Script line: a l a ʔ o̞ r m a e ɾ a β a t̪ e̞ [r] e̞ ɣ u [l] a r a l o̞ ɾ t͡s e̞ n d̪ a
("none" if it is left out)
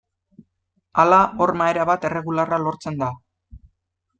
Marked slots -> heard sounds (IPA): r, l

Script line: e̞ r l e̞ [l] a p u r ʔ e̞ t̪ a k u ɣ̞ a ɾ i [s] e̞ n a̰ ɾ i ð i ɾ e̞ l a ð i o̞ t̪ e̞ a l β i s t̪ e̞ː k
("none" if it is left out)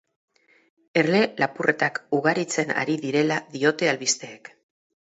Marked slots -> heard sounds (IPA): l, t͡s

